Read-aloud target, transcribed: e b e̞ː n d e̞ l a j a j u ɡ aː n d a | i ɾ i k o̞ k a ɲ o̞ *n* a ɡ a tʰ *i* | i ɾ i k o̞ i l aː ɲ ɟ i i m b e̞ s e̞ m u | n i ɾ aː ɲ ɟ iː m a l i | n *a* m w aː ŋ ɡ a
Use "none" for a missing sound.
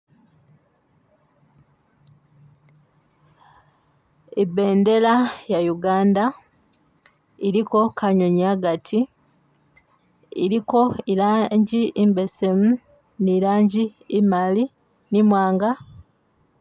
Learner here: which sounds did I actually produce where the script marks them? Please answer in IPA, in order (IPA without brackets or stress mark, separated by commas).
ɲ, i, i